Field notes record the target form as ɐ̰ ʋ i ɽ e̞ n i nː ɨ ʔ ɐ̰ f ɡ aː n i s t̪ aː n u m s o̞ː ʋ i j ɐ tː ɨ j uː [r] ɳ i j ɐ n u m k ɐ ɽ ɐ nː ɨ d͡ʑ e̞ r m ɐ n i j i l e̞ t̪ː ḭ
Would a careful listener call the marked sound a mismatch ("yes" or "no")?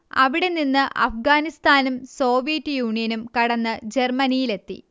yes